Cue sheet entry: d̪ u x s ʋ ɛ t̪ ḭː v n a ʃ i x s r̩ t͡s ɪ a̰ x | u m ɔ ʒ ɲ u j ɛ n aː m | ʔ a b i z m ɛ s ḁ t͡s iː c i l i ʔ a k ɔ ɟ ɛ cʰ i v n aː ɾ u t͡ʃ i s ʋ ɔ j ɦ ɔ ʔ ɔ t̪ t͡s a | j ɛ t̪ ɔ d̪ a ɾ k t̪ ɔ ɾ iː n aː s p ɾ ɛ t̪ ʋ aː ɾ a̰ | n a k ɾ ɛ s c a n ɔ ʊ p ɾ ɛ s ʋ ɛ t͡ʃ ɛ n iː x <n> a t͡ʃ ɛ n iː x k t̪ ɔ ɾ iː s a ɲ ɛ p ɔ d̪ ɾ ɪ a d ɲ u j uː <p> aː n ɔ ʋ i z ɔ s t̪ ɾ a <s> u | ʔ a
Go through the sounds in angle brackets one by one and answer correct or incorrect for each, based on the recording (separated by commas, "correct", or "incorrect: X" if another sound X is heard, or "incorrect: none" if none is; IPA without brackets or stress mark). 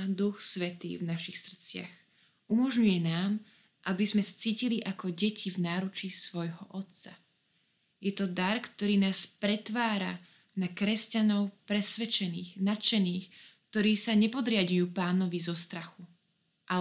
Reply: correct, correct, incorrect: x